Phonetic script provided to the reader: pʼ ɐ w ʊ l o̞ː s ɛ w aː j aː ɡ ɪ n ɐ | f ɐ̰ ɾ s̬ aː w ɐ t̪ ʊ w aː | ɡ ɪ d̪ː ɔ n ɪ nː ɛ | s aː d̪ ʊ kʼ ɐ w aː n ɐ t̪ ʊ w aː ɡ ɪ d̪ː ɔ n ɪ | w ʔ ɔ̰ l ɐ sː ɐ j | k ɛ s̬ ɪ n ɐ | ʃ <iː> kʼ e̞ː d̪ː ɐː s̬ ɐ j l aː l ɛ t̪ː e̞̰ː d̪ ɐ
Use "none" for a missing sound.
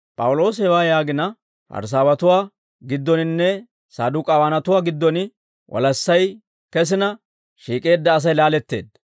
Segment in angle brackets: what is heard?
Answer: iː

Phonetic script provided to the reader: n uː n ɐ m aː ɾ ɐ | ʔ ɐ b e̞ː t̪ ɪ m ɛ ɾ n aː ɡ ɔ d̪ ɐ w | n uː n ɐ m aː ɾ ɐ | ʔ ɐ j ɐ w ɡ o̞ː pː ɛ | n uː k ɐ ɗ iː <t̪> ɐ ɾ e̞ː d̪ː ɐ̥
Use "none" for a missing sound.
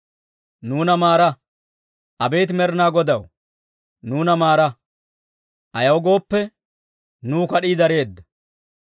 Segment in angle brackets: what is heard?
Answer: d̪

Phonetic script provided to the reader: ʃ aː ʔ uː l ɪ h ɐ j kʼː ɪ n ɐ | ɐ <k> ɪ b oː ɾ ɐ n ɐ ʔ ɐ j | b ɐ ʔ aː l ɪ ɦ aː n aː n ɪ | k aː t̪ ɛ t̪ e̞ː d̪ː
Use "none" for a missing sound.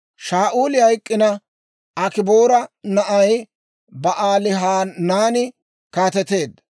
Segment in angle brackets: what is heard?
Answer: k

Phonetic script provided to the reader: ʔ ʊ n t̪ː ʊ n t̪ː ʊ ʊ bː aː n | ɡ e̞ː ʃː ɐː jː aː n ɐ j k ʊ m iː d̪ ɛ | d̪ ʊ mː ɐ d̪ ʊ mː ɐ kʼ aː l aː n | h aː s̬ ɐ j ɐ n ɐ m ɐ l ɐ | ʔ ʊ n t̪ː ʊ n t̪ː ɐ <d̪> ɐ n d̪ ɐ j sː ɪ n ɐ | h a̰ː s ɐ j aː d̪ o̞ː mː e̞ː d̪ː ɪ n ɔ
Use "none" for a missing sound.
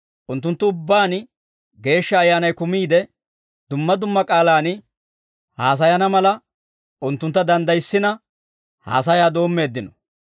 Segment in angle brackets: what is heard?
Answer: d̪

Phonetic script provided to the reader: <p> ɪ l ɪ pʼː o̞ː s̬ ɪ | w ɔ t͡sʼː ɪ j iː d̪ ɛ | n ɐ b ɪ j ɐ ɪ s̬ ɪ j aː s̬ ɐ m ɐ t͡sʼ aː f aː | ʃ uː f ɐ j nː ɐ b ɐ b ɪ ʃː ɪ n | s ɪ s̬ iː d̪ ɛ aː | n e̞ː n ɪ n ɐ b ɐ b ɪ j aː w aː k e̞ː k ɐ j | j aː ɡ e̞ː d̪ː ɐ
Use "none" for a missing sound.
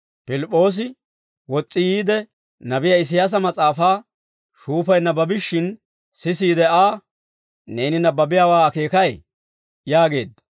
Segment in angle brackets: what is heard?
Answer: p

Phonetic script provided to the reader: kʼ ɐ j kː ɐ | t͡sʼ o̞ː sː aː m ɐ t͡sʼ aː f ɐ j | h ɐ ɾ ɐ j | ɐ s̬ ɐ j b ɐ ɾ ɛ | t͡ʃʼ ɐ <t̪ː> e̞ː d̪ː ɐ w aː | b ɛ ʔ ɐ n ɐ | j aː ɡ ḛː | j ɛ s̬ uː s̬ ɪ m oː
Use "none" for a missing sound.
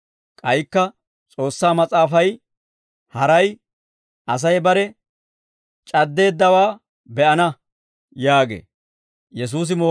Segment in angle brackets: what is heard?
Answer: d̪ː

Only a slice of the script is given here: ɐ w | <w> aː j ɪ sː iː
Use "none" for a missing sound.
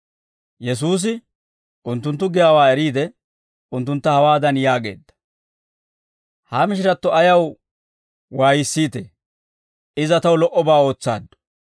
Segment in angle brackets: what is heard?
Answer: w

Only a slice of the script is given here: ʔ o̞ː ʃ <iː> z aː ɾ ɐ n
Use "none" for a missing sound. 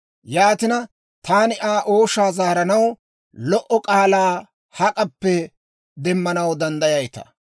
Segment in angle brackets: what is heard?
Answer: aː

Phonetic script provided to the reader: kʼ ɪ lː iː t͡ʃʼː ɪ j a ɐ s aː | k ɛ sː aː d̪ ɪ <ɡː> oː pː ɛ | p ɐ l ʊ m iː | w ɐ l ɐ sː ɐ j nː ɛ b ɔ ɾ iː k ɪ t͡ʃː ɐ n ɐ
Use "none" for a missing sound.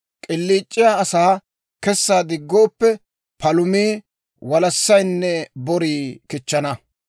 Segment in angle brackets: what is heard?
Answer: ɡː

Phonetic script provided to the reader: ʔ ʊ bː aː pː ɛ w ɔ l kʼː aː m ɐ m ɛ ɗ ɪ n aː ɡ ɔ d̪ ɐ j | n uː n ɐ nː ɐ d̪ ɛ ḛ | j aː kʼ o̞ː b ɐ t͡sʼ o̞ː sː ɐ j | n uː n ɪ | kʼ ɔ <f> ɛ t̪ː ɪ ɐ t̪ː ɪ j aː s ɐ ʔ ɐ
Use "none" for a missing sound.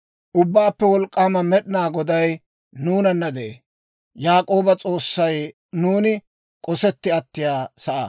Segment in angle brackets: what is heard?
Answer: s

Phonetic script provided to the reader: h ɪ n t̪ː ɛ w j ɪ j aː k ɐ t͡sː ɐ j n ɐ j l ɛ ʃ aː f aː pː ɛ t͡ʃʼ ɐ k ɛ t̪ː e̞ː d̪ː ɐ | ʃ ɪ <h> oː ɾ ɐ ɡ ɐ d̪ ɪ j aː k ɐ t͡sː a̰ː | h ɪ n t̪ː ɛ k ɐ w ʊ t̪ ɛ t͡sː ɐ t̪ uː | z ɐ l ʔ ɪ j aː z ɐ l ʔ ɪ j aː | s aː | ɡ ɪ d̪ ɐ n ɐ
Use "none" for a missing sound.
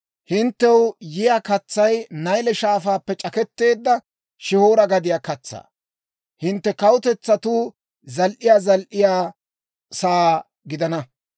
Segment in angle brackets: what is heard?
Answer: h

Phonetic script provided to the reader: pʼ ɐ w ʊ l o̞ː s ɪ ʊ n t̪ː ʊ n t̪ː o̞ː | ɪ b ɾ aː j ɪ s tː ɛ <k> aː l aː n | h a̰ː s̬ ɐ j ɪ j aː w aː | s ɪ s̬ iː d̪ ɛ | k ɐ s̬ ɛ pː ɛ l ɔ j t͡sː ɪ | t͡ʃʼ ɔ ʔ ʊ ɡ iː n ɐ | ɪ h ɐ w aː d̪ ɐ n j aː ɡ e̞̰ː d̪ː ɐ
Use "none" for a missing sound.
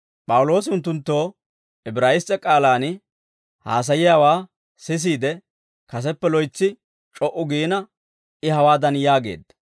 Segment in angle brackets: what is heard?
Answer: kʼ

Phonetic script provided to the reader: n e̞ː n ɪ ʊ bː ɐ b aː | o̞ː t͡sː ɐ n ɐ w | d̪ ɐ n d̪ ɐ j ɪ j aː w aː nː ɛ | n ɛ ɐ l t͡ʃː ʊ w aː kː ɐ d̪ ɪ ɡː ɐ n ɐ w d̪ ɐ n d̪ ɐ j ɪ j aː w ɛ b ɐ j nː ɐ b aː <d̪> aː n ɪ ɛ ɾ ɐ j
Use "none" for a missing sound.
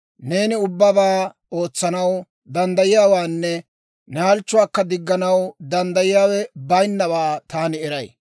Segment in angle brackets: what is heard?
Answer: t̪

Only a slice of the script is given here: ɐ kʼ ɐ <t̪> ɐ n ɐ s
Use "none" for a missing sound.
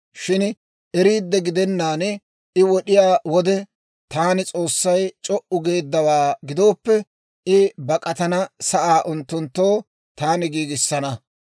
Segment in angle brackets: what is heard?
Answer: t̪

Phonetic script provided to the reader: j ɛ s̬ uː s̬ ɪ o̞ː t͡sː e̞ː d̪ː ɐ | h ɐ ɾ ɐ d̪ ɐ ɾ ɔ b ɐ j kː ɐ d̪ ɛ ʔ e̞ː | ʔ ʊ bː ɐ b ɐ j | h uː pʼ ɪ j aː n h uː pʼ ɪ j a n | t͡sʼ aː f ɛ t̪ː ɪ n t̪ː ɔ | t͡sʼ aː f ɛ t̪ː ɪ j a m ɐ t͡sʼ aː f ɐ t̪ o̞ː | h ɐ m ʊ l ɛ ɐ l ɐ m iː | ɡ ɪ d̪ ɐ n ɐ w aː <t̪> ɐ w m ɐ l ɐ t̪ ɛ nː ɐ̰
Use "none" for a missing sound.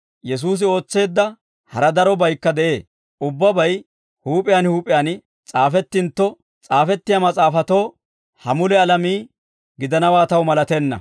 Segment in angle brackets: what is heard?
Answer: t̪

